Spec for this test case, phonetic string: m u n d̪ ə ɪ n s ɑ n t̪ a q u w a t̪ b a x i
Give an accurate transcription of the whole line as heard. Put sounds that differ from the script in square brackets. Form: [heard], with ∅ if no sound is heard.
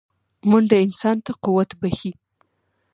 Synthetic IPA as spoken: m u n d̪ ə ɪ n s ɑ n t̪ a q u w a t̪ b a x i